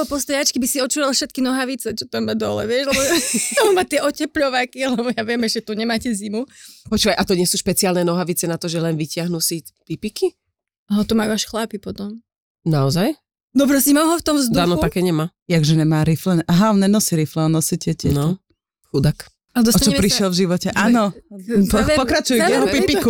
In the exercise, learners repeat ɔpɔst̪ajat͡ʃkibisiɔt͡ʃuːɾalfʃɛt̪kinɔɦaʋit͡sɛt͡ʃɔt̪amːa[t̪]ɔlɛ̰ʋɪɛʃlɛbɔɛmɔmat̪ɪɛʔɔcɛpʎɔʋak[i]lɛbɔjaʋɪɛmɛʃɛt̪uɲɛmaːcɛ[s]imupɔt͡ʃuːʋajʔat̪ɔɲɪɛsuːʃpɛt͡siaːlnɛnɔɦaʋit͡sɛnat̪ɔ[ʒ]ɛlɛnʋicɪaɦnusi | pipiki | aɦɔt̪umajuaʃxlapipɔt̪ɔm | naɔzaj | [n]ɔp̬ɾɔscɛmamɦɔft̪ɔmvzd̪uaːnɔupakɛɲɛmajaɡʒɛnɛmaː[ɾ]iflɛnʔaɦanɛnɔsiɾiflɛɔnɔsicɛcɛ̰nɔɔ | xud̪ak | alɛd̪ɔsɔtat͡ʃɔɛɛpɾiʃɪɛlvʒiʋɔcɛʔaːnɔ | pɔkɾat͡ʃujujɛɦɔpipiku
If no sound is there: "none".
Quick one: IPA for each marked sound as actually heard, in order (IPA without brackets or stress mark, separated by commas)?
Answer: d̪, i, z, ʒ, n, ɾ